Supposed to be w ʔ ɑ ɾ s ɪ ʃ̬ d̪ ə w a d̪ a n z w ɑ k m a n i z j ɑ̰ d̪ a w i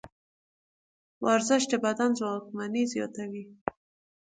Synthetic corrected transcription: w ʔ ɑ ɾ z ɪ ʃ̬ d̪ ə b a d̪ a n z w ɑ k m a n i z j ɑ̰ t̪ a w i

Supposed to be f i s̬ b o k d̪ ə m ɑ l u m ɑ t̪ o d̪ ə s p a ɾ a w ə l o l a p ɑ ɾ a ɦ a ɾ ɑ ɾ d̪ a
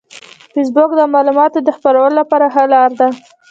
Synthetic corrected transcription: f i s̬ b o k d̪ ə m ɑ l u m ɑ t̪ o d̪ ə x p a ɾ a w ə l o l a p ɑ ɾ a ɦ a l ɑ ɾ d̪ a

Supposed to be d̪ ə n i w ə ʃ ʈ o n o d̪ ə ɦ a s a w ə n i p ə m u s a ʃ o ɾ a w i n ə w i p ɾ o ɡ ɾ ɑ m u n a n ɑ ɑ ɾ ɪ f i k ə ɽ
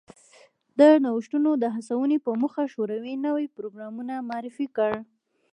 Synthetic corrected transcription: d̪ ə n a w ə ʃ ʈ u n o d̪ ə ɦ a s a w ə n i p ə m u x a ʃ o ɾ a w i n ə w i p ɾ o ɡ ɾ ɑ m u n a m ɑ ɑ ɾ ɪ f i k ə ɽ

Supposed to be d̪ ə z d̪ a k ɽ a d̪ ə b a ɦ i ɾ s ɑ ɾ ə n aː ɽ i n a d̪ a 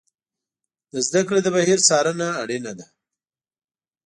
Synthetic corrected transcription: d̪ ə z d̪ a k ɽ e d̪ ə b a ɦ i ɾ s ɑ ɾ ə n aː ɽ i n a d̪ a

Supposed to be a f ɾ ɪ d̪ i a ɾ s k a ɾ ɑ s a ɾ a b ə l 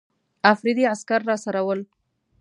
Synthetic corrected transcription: a f ɾ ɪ d̪ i a s k a ɾː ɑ s a ɾ a w ə l

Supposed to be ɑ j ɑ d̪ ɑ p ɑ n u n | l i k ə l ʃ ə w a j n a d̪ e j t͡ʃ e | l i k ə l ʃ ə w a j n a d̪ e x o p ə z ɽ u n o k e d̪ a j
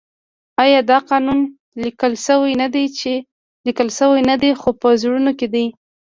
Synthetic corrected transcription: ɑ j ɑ d̪ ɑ q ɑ n u n | l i k ə l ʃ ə w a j n a d̪ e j t͡ʃ e | l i k ə l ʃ ə w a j n a d̪ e x o p ə z ɽ u n o k e d̪ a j

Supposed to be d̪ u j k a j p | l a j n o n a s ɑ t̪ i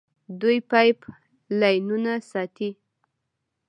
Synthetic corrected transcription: d̪ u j p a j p | l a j n u n a s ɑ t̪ i

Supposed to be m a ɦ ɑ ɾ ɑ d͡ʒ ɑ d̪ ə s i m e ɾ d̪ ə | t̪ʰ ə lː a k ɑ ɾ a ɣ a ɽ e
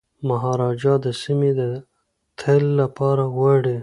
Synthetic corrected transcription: m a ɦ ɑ ɾ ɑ d͡ʒ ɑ d̪ ə s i m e d̪ ə | t̪ʰ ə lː a p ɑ ɾ a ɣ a ɽ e

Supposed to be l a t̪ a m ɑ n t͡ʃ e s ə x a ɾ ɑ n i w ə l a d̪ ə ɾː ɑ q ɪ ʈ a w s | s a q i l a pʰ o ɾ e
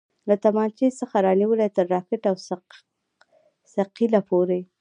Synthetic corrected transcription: l a t̪ a m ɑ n t͡ʃ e s ə x a ɾ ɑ n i w ə l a t̪ ə ɾː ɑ k ɪ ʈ a w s | s a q i l a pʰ o ɾ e

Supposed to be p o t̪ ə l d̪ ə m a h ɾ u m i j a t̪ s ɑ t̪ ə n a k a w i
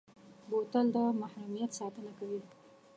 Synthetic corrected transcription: b o t̪ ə l d̪ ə m a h ɾ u m i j a t̪ s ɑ t̪ ə n a k a w i

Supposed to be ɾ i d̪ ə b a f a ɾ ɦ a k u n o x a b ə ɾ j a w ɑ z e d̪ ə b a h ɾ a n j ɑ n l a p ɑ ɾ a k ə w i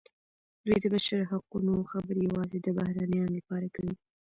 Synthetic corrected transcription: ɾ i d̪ ə b a ʃ a ɾ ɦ a q u n o x a b ə ɾ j a w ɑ z e d̪ ə b a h ɾ a n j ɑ n l a p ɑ ɾ a k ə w i

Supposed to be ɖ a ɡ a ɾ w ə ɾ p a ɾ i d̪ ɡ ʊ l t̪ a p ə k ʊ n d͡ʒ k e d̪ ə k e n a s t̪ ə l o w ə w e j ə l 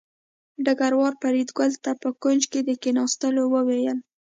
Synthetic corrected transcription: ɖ a ɡ a ɾ w ɑ ɾ p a ɾ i d̪ ɡ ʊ l t̪ a p ə k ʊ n d͡ʒ k e d̪ ə k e n ɑ s t̪ ə l o w ə w e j ə l

